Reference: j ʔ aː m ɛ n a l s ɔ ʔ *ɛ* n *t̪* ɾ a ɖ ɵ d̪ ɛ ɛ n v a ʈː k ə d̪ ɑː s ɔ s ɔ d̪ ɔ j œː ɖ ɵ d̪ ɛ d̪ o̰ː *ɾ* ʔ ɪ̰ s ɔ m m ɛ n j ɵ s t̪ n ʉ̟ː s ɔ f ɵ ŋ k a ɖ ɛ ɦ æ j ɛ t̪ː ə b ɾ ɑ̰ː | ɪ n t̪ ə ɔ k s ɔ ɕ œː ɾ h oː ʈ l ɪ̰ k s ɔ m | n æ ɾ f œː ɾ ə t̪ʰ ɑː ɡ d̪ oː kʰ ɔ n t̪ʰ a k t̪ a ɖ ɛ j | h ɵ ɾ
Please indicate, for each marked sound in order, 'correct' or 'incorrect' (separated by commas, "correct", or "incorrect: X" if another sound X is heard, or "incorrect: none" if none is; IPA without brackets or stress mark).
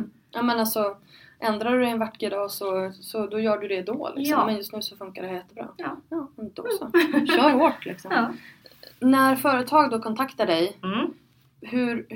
correct, incorrect: d̪, incorrect: l